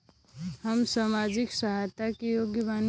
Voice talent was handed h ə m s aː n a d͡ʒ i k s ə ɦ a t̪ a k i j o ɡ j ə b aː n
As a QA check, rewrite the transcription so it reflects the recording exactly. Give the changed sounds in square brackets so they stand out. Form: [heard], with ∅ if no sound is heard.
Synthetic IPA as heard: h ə m s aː [m] a d͡ʒ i k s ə ɦ a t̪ a k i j o ɡ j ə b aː n